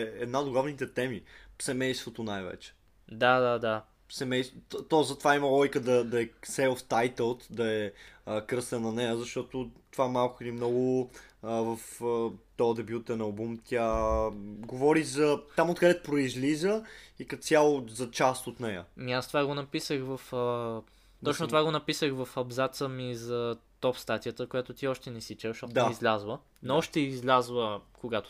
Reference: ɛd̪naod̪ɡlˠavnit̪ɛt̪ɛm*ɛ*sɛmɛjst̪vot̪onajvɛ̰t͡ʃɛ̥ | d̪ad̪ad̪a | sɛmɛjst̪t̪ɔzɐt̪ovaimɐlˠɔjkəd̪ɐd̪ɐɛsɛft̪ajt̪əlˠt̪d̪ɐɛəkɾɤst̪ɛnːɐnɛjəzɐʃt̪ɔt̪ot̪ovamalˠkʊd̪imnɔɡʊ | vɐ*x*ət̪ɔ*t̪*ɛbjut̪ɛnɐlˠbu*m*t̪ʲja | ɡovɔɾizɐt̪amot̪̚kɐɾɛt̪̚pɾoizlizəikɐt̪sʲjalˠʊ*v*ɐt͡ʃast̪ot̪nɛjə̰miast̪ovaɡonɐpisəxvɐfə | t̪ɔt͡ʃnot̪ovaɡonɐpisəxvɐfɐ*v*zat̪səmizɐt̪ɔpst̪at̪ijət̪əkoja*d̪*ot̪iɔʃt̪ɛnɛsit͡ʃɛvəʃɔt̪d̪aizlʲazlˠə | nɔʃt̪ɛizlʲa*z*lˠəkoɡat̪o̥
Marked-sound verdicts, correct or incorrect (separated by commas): incorrect, incorrect, incorrect, correct, incorrect, incorrect, incorrect, correct